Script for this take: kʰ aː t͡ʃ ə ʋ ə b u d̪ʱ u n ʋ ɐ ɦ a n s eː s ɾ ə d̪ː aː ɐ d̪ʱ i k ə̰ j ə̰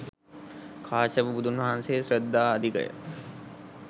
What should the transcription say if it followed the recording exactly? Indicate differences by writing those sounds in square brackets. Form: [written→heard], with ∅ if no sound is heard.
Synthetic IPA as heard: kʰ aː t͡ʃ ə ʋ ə b u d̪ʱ u n ʋ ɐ ɦ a n s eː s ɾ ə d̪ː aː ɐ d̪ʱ i k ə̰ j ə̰